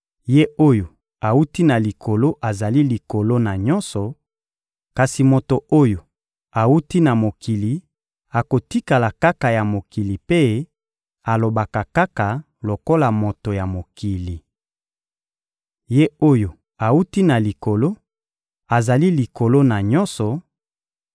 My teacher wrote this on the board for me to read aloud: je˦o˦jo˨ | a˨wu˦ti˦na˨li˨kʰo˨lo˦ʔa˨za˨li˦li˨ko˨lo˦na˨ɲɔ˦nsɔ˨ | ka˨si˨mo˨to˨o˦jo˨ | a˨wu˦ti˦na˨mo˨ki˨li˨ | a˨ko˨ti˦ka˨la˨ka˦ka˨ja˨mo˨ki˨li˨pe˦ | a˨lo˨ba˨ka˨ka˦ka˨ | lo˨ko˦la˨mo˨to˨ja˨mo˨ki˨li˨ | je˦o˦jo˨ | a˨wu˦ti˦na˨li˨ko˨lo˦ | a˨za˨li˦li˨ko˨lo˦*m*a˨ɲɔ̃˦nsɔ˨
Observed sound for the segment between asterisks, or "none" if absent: n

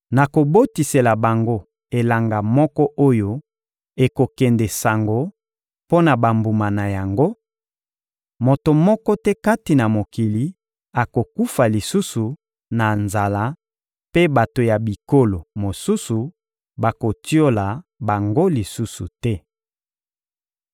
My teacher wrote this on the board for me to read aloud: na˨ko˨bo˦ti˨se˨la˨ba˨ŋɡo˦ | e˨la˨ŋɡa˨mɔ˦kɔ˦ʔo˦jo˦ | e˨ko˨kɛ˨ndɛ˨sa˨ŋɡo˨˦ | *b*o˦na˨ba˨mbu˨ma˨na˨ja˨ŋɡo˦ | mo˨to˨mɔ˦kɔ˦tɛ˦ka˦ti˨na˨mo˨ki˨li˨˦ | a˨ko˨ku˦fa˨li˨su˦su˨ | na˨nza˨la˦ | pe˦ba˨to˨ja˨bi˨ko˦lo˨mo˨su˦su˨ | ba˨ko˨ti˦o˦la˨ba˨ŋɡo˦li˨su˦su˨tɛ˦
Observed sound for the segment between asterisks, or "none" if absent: p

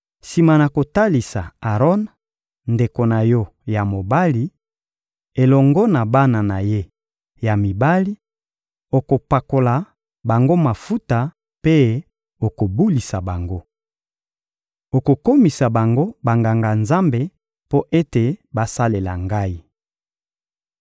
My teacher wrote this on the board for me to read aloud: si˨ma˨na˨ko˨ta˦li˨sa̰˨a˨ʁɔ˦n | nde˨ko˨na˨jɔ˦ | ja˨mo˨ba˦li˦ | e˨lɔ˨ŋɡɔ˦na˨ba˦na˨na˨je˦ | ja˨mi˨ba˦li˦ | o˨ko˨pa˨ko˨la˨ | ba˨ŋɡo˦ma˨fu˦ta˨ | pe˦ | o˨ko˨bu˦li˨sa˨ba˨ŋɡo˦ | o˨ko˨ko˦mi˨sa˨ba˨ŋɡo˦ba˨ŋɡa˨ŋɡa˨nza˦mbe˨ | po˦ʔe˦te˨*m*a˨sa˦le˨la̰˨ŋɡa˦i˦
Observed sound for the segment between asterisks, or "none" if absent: b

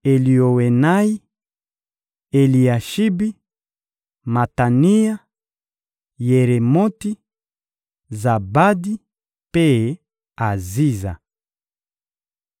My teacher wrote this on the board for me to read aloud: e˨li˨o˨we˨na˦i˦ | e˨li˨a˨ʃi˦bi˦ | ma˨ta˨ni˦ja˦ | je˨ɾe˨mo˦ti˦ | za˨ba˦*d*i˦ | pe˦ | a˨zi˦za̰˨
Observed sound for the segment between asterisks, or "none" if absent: d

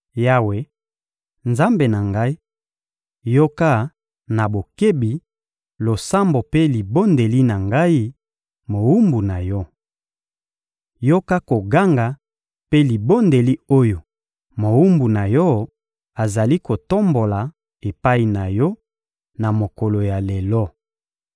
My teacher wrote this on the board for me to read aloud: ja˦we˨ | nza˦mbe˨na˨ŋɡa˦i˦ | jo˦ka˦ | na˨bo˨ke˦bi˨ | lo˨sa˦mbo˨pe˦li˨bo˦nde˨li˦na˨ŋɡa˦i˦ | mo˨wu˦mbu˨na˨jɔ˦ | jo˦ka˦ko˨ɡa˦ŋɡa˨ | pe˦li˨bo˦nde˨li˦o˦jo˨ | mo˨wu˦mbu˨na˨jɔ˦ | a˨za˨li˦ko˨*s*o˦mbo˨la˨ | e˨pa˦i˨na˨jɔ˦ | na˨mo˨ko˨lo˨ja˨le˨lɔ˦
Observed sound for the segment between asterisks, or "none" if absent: t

